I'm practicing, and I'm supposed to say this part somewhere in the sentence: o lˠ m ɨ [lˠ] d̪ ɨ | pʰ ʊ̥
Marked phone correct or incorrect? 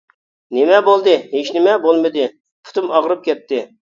incorrect